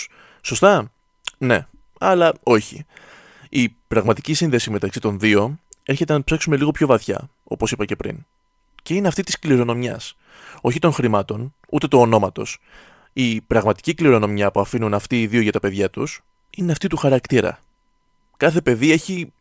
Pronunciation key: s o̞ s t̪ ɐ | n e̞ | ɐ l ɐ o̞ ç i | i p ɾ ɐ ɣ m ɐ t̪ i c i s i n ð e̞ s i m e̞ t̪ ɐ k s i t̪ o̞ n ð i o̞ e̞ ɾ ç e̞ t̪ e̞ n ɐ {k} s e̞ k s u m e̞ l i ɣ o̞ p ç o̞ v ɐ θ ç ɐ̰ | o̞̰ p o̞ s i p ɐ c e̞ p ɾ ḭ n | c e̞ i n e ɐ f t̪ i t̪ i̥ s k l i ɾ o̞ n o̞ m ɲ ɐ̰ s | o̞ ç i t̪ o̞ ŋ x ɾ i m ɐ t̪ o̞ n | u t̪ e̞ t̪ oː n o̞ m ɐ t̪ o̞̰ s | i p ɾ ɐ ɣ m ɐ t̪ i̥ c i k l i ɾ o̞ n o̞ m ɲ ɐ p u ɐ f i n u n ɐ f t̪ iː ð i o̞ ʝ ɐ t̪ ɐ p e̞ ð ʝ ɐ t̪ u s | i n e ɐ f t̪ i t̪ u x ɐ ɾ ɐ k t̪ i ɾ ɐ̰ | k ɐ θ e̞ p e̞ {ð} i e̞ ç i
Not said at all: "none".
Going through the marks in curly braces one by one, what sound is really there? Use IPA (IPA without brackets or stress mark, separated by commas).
p, ð